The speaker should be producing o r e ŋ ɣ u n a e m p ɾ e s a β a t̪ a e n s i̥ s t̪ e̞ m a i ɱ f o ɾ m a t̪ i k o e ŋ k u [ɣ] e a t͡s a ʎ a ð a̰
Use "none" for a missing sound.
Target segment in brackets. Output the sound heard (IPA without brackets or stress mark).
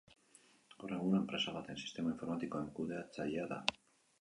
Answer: ð